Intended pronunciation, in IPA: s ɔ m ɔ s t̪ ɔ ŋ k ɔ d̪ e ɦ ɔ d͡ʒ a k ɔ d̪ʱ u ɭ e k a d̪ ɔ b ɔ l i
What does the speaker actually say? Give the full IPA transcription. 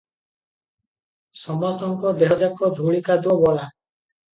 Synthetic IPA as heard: s ɔ m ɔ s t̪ ɔ ŋ k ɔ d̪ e ɦ ɔ d͡ʒ a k ɔ d̪ʱ u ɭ i k a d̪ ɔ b ɔ l a